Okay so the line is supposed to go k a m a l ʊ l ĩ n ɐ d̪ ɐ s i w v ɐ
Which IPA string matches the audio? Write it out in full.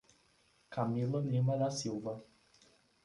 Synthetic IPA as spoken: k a m i l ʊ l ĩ m ɐ d̪ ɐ s i w v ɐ